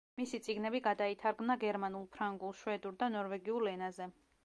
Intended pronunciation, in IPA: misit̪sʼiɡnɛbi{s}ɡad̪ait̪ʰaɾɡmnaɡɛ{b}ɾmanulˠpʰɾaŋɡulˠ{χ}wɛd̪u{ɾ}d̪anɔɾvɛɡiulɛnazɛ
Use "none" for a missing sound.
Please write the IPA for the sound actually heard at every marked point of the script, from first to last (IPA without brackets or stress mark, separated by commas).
none, none, ʃ, ɾ